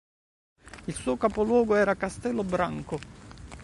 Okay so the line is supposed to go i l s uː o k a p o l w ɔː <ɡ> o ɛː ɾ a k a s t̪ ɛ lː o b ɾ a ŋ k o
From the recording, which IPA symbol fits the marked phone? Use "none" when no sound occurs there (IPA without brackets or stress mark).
ɡ